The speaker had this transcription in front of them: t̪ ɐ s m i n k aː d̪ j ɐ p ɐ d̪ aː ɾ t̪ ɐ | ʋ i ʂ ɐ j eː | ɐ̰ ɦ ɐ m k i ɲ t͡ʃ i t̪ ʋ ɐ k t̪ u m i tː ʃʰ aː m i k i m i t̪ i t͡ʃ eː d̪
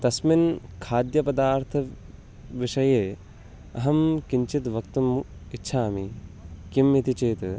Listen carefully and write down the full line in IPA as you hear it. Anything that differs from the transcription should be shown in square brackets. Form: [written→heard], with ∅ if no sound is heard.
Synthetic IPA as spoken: t̪ ɐ s m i n [k→kʰ] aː d̪ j ɐ p ɐ d̪ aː ɾ [t̪→t̪ʰ] ɐ | ʋ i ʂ ɐ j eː | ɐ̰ ɦ ɐ m k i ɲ t͡ʃ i t̪ ʋ ɐ k t̪ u m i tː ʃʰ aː m i k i m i t̪ i t͡ʃ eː [d̪→t̪]